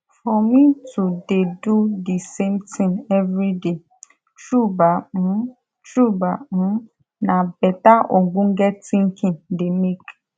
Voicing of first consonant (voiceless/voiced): voiceless